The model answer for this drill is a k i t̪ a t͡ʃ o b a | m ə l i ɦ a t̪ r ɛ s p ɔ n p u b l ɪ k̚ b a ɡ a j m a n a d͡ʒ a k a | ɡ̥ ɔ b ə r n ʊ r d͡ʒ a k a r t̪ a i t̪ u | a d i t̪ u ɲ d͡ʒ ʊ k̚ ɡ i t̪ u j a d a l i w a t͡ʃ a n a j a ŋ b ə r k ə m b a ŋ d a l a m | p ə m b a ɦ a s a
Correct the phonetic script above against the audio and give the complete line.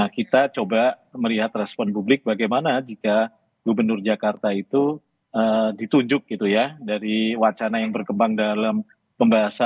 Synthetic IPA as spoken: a k i t̪ a t͡ʃ o b a | m ə l i ɦ a t̪ r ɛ s p ɔ n p u b l ɪ k̚ b a ɡ a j m a n a d͡ʒ i k a | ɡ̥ u b ə r n ʊ r d͡ʒ a k a r t̪ a i t̪ u | ə d i t̪ u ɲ d͡ʒ ʊ k̚ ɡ i t̪ u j a d a ɾ i w a t͡ʃ a n a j a ŋ b ə r k ə m b a ŋ d a l a m | p ə m b a ɦ a s a